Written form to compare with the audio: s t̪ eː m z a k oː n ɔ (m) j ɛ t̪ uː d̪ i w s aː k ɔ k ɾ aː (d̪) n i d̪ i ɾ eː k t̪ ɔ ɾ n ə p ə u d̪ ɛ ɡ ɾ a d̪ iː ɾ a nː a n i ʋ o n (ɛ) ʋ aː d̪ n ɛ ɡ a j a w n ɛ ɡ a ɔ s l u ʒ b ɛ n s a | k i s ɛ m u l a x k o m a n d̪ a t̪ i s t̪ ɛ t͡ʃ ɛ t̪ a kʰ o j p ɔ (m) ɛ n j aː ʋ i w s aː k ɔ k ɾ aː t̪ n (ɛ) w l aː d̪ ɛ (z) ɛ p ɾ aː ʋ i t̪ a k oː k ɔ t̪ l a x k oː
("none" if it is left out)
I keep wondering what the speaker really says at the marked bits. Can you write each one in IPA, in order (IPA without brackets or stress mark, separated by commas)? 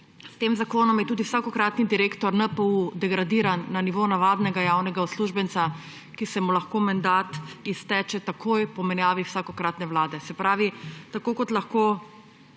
m, t̪, a, m, ɛ, s